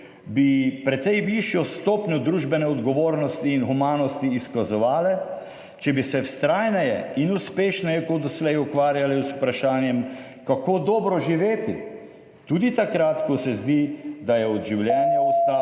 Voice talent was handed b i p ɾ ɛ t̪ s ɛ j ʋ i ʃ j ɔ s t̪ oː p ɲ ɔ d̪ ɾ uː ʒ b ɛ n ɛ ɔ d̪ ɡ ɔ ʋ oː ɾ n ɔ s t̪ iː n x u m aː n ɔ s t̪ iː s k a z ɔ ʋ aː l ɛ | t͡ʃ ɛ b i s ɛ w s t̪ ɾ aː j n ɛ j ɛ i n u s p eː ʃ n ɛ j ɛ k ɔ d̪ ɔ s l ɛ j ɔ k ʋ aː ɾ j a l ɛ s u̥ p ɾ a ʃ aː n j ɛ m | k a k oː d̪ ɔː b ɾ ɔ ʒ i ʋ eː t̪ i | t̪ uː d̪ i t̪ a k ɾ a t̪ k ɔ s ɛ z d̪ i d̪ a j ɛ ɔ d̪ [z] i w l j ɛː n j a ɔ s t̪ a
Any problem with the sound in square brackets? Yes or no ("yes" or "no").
yes